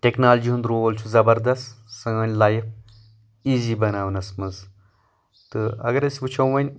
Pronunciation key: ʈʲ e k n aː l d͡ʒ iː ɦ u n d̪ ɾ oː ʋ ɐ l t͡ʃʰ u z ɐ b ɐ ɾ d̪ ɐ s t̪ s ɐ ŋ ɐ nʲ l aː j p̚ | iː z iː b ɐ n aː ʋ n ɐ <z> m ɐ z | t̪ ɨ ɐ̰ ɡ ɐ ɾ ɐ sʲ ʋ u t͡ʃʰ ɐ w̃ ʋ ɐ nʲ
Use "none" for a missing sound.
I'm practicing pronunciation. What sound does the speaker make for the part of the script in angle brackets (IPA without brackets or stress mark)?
s